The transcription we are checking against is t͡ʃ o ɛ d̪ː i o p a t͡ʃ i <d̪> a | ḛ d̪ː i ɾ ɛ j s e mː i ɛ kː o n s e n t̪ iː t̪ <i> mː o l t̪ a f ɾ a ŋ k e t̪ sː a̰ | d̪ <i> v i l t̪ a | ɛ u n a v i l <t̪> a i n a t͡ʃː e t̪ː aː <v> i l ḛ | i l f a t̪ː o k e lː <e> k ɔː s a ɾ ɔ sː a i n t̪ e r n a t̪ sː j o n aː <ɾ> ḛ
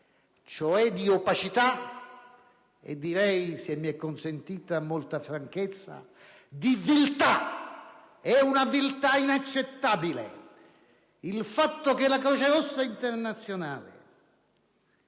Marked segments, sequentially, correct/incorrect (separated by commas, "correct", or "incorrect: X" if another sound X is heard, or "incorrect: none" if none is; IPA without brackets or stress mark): incorrect: t̪, incorrect: a, correct, correct, incorrect: b, incorrect: a, incorrect: l